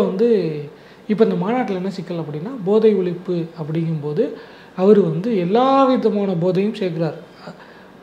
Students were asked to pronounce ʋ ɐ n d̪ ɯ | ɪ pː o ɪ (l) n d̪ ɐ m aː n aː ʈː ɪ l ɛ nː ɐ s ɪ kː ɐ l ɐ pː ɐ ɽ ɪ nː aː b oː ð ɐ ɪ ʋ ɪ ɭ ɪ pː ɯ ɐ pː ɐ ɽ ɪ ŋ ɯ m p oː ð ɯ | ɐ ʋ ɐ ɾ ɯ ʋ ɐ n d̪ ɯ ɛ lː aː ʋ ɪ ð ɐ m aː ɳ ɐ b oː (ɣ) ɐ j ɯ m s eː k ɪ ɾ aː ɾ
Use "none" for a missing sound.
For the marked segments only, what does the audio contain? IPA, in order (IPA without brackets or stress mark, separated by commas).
none, ð